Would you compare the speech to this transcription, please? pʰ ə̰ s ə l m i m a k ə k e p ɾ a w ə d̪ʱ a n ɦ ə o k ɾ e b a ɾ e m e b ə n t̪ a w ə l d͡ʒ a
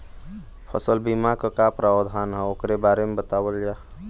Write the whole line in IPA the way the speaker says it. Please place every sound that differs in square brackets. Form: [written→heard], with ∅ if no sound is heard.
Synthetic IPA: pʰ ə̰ s ə l [m→b] i m a k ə k [e→a] p ɾ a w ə d̪ʱ a n ɦ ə o k ɾ e b a ɾ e m e b ə [n→∅] t̪ a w ə l d͡ʒ a